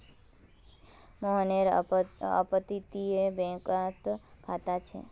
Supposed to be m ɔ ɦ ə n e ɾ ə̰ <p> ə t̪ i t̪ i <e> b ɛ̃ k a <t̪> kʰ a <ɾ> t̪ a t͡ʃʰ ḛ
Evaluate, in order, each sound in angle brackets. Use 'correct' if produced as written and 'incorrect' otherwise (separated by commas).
correct, correct, correct, incorrect